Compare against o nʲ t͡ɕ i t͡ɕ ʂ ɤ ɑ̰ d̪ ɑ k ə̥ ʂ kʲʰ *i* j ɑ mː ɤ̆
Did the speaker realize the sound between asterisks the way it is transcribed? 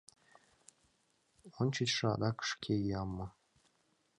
no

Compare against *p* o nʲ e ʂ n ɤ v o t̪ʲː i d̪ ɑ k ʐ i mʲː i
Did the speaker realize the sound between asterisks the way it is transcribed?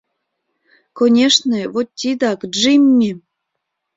no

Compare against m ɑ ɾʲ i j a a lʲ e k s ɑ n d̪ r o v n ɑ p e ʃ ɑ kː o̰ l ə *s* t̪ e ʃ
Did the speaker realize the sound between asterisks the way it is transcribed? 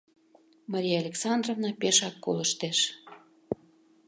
no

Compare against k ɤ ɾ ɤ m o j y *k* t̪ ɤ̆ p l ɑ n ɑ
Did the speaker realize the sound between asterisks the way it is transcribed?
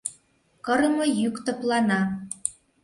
yes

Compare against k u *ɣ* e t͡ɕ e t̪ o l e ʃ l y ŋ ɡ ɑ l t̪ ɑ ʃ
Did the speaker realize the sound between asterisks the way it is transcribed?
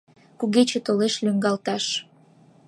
yes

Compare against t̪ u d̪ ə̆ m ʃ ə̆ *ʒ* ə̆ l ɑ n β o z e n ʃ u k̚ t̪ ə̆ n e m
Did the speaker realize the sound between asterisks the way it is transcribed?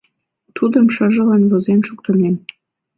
yes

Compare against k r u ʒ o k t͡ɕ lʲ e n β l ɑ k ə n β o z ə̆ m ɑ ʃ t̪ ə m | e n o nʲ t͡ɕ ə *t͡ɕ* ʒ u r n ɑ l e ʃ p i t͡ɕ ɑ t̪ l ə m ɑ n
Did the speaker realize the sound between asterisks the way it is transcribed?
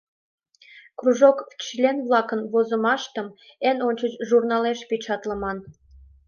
yes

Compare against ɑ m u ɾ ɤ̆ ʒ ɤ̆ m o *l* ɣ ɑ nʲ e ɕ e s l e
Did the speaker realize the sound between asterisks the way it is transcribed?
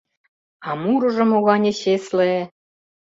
no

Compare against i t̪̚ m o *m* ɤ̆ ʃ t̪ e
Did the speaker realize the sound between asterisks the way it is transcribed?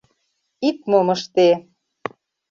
yes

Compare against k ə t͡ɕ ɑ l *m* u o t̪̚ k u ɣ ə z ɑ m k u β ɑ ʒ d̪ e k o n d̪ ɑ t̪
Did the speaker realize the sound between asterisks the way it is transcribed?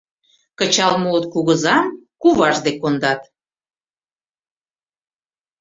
yes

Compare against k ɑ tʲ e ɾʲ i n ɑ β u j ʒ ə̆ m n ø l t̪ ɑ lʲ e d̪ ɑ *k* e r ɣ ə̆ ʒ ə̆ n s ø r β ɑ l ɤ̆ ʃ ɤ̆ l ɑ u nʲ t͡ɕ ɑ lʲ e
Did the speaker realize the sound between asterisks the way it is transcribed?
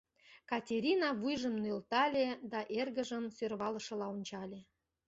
no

